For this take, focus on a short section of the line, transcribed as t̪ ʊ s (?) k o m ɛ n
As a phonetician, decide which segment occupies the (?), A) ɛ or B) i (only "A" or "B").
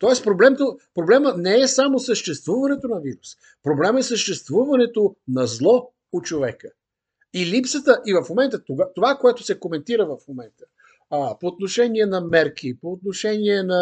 A